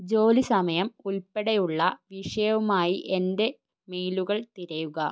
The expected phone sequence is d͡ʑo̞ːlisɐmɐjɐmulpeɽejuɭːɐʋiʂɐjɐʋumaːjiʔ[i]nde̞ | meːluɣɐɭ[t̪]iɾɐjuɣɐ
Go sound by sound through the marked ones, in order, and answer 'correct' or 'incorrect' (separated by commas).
incorrect, correct